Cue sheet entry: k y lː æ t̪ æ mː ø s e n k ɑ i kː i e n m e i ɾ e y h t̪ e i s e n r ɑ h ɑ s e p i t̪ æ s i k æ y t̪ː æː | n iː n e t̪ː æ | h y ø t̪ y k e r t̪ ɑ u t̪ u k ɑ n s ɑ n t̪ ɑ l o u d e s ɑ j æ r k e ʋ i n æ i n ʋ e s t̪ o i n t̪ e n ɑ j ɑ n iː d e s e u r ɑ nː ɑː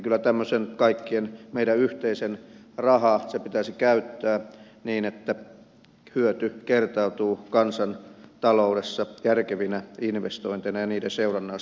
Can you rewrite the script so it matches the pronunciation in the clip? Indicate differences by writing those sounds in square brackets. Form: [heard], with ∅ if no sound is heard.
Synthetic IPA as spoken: k y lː æ t̪ æ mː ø s e n k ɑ i kː i e n m e i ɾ [æ] y h t̪ e i s e n r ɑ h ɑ s e p i t̪ æ s i k æ y t̪ː æː | n iː n e t̪ː æ | h y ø t̪ y k e r t̪ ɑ u t̪ [uː] k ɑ n s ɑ n t̪ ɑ l o u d e [sː] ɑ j æ r k e ʋ i n æ i n ʋ e s t̪ o i n t̪ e n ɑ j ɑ n iː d e s e u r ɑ nː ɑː